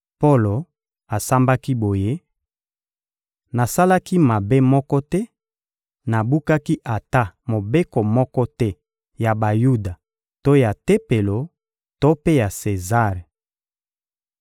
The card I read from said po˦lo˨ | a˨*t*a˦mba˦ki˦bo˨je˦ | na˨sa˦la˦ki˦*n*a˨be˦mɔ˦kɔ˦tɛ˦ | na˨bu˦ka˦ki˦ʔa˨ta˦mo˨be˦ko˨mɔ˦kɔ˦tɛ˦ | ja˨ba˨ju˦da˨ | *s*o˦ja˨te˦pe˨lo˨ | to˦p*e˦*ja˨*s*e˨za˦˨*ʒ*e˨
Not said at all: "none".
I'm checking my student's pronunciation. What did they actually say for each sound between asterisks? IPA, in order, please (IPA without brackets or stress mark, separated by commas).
s, m, t, e˦, s, ʁ